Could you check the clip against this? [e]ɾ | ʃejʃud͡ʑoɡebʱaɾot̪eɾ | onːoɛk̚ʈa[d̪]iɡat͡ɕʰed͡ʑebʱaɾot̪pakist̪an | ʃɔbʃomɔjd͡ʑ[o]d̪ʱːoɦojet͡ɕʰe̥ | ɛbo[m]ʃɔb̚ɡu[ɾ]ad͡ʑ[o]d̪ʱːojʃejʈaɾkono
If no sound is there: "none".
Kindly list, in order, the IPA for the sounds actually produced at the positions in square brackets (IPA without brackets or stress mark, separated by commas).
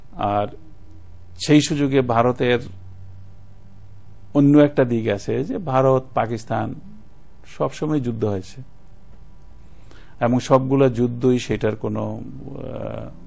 a, d̪, u, ŋ, l, u